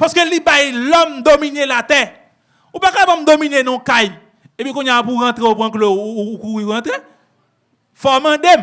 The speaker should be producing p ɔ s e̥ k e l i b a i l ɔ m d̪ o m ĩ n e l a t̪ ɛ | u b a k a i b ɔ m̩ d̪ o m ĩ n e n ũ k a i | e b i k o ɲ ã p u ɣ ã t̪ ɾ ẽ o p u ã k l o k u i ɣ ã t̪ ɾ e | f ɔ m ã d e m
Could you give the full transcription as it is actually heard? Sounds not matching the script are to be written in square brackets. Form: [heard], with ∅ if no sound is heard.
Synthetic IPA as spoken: p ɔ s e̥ k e l i b a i l ɔ m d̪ o m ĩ n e l a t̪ ɛ | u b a k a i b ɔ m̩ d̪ o m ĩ n e n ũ k a i | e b i k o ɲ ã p u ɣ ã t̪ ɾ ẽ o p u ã k l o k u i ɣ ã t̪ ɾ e | f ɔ m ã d e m